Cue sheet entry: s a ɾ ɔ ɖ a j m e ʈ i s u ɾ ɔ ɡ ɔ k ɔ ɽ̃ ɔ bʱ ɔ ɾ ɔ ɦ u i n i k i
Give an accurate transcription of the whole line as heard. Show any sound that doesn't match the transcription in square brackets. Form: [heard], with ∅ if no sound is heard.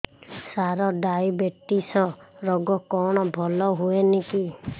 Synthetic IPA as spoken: s a ɾ ɔ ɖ a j [b] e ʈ i s [ɔ] ɾ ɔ ɡ ɔ k ɔ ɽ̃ ɔ bʱ ɔ [l] ɔ ɦ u [e] n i k i